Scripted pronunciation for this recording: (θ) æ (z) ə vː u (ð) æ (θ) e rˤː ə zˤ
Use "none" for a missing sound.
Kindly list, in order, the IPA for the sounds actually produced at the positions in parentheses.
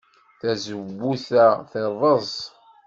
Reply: θ, z, θ, θ

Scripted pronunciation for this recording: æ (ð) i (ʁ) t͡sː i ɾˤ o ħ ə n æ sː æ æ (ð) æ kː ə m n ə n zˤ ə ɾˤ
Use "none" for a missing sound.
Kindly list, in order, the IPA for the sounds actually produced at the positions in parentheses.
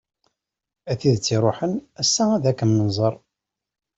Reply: θ, ð, ð

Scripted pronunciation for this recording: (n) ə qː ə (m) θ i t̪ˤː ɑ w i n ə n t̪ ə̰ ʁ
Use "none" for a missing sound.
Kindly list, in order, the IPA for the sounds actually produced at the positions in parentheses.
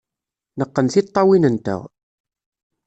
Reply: n, n

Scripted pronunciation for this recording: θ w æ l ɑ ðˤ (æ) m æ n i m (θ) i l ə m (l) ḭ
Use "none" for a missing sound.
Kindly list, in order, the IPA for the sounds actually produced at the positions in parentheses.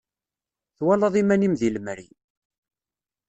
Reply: i, ð, ɾ

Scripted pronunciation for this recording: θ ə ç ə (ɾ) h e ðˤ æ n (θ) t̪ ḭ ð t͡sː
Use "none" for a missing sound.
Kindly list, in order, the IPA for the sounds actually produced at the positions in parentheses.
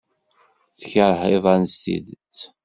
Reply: ɾ, s

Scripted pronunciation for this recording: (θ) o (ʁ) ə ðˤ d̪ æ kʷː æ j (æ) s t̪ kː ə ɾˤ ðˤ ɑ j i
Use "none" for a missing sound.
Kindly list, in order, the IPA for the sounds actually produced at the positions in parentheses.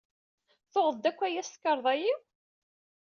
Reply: θ, ʁ, æ

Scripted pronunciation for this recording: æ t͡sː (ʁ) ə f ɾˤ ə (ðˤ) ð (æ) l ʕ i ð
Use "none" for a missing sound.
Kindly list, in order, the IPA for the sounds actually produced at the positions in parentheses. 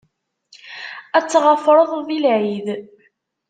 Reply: ʁ, ðˤ, i

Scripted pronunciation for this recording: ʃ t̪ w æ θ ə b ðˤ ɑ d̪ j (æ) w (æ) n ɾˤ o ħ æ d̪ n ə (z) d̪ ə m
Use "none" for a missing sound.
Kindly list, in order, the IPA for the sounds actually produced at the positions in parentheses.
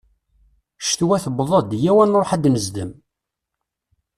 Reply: æ, æ, z

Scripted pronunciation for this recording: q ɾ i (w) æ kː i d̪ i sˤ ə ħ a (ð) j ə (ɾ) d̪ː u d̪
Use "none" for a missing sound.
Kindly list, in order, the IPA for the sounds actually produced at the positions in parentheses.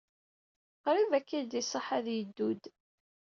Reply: v, ð, none

